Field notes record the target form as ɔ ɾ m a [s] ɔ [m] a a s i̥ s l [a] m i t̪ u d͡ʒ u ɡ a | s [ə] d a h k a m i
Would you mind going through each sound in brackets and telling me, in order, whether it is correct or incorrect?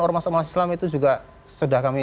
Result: correct, correct, correct, correct

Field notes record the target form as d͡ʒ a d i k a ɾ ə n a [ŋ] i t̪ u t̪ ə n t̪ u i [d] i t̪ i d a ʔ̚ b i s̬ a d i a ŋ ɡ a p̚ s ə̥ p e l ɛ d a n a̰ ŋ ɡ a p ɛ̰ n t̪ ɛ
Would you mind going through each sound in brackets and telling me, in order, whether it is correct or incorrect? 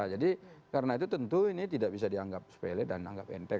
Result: incorrect, incorrect

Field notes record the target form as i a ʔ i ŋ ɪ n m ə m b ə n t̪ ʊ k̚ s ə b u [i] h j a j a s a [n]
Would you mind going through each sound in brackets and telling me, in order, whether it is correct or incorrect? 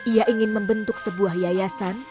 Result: incorrect, correct

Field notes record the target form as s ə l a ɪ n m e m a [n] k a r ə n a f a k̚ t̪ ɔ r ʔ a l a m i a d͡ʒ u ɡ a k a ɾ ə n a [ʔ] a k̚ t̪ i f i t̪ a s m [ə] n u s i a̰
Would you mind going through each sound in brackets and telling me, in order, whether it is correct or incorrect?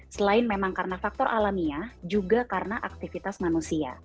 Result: incorrect, correct, incorrect

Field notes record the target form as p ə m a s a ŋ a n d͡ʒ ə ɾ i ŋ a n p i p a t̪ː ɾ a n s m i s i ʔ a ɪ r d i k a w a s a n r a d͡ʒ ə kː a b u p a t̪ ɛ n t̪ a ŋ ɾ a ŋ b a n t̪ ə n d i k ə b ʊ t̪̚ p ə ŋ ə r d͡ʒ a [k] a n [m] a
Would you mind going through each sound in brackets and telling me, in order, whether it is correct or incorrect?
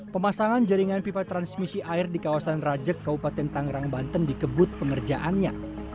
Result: incorrect, incorrect

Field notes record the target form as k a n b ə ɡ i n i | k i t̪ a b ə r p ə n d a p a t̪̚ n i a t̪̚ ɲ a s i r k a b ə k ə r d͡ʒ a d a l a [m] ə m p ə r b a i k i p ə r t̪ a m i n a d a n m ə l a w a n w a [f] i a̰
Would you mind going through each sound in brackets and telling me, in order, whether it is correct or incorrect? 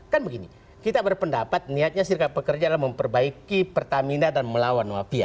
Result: correct, correct

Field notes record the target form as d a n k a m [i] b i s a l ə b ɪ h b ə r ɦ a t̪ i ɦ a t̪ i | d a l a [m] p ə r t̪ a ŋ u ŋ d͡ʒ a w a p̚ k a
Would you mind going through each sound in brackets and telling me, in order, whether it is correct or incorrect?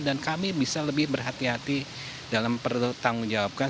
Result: correct, correct

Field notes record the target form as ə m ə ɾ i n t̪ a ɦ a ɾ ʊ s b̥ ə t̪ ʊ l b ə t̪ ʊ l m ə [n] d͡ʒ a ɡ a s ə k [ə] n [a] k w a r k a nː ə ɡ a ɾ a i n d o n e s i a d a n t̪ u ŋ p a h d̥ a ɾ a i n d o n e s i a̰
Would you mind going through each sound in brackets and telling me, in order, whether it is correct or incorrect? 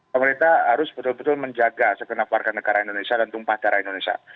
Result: incorrect, correct, correct

